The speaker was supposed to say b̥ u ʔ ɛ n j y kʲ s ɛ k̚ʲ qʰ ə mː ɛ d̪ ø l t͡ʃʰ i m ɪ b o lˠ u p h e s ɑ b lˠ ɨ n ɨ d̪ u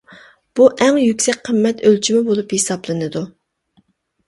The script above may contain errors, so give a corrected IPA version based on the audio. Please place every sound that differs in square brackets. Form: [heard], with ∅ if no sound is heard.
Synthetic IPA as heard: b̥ u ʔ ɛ [ŋ] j y kʲ s ɛ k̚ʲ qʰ ə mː ɛ [t̪] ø l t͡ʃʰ i m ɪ b o lˠ u p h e s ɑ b lˠ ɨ n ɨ d̪ u